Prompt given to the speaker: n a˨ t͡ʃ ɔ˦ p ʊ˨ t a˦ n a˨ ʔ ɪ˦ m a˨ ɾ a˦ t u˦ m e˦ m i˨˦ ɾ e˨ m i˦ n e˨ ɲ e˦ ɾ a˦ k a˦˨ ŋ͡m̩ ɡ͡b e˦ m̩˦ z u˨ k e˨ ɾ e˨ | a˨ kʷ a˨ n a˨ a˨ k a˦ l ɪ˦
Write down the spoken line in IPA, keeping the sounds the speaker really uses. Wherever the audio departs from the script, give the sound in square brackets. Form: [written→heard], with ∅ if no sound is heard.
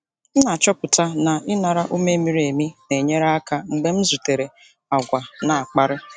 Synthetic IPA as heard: n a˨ t͡ʃ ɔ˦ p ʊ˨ t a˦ n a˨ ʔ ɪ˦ [m→n] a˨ ɾ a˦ [t→ʔ] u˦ m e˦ m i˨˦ ɾ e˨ m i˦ n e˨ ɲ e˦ ɾ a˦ k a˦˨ ŋ͡m̩ ɡ͡b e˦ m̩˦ z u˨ [k→t] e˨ ɾ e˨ | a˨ [kʷ→ɡʷ] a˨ n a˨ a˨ [k→k͡p] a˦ [l→ɾ] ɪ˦